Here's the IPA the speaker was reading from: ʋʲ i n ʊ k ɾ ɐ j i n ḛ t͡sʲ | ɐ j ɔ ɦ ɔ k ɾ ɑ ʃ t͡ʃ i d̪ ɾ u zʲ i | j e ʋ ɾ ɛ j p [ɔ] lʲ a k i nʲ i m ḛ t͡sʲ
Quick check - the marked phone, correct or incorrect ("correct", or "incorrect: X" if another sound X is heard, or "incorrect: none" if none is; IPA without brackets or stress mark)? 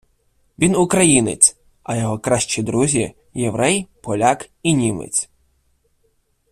correct